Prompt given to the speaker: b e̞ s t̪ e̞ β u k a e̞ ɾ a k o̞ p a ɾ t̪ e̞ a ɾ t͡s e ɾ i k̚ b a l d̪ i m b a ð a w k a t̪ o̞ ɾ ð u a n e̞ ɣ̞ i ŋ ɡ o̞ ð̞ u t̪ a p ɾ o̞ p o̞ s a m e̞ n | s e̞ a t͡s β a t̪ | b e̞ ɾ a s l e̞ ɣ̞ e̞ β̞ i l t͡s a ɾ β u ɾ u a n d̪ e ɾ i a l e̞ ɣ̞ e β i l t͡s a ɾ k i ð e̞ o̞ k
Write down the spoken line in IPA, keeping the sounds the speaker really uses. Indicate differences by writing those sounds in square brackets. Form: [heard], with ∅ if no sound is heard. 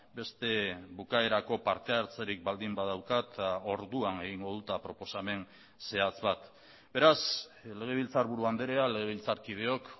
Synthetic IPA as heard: b e̞ s t̪ e̞ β u k a e̞ ɾ a k o̞ p a ɾ t̪ e̞ a ɾ t͡s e ɾ i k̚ b a l d̪ i m b a ð a w k a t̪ o̞ ɾ ð u a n e̞ ɣ̞ i ŋ ɡ o̞ ð̞ u t̪ a p ɾ o̞ p o̞ s a m e̞ n | s e̞ a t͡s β a t̪ | b e̞ ɾ a s l e̞ ɣ̞ e̞ β̞ i l t͡s a ɾ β u ɾ u a n d̪ e ɾ [e] a l e̞ ɣ̞ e β i l t͡s a ɾ k i ð e̞ o̞ k